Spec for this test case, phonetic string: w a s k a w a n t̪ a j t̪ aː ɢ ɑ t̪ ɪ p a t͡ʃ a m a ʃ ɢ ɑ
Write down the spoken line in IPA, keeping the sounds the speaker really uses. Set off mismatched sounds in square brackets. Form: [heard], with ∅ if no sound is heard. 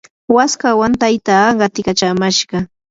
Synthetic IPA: w a s k a w a n t̪ a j t̪ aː ɢ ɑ t̪ ɪ [k] a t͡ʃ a m a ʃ ɢ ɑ